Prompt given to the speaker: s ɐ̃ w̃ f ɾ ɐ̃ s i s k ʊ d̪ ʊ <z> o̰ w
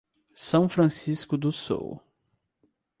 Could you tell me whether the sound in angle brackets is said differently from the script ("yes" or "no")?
yes